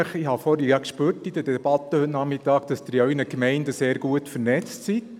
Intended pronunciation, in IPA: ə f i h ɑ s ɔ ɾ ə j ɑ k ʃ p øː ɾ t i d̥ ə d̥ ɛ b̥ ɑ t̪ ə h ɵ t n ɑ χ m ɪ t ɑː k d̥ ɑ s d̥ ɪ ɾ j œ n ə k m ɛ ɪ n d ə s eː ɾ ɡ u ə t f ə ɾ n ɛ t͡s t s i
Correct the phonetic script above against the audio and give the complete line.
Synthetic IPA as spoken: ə χ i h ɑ f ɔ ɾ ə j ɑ k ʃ p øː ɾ t i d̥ ə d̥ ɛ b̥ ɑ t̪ ə h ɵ t n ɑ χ m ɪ t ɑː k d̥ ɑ s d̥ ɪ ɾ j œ n ə k m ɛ ɪ n d ə s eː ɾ ɡ u ə t f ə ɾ n ɛ t͡s t s i